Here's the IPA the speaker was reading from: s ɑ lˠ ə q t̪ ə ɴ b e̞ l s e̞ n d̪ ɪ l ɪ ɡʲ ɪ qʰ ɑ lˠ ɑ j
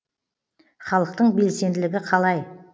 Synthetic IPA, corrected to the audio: χ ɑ lˠ ə q t̪ ə ɴ b e̞ l s e̞ n d̪ ɪ l ɪ ɡʲ ɪ qʰ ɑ lˠ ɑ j